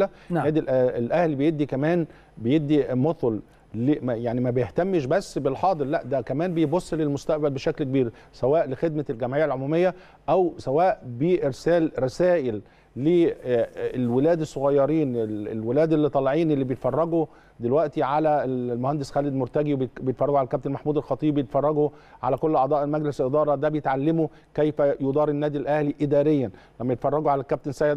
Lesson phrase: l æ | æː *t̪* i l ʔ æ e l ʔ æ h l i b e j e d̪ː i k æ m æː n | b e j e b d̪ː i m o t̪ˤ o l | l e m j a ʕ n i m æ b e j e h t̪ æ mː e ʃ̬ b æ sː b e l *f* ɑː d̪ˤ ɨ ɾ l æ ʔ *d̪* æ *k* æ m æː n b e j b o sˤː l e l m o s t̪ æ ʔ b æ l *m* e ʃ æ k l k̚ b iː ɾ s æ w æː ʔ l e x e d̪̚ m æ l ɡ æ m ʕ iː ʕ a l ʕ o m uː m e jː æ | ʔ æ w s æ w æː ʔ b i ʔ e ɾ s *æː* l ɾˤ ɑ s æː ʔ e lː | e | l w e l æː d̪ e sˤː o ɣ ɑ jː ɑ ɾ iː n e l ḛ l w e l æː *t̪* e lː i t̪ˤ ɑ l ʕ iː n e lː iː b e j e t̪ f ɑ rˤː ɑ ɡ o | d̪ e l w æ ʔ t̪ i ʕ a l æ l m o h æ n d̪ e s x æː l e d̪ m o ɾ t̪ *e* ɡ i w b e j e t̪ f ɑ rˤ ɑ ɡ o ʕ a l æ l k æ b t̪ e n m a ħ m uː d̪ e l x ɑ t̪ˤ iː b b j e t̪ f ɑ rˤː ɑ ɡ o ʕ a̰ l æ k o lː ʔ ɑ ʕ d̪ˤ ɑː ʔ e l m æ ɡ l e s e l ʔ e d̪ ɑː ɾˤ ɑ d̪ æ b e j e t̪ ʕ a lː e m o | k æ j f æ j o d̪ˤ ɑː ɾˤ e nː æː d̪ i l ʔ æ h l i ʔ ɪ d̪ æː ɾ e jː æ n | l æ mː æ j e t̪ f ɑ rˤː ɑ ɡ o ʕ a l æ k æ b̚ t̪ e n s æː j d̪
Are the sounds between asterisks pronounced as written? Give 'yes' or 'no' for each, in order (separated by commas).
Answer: no, no, yes, yes, no, yes, no, no